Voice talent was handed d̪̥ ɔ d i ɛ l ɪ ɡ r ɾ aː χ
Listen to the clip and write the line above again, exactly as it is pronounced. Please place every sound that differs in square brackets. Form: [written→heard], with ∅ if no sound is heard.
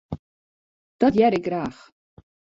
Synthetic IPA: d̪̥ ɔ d [i→j] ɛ [l→ɾ] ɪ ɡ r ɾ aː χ